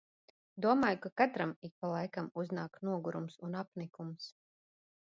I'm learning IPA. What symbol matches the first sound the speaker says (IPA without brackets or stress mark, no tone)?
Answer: d̪